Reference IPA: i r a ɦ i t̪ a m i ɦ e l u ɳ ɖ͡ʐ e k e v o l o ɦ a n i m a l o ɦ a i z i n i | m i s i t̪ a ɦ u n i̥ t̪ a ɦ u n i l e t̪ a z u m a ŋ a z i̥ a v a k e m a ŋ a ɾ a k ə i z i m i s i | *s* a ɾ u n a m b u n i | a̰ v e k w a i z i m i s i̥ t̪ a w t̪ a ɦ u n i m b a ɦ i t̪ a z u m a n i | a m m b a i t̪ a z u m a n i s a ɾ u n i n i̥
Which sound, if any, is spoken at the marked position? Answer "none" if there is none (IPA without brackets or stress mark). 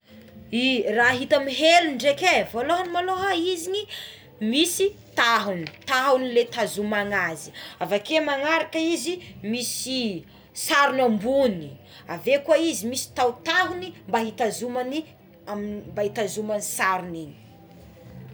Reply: s